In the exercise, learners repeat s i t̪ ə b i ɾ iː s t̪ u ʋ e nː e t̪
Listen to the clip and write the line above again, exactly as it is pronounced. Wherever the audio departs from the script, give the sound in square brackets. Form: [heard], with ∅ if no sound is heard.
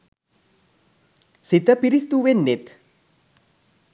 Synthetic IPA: s i t̪ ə [p] i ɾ [i] s t̪ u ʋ e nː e t̪